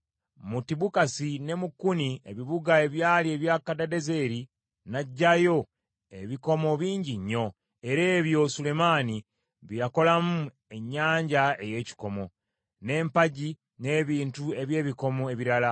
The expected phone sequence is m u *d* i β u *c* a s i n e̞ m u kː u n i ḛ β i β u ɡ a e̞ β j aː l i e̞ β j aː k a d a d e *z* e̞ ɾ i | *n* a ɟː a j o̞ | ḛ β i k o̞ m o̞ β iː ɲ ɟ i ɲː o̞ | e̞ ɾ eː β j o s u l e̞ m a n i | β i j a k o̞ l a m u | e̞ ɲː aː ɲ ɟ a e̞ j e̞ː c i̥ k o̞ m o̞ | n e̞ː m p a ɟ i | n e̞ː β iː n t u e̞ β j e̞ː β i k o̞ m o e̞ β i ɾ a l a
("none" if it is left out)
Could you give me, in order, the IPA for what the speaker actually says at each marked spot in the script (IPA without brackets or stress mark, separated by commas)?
t, k, z, n